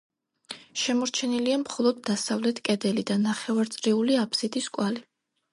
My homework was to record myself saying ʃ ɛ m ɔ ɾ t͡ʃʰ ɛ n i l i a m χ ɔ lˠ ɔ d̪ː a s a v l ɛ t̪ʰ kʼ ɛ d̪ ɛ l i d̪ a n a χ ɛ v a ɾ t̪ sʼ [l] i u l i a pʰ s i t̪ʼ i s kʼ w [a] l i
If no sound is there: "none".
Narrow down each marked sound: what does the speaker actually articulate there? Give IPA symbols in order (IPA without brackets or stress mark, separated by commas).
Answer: ɾ, a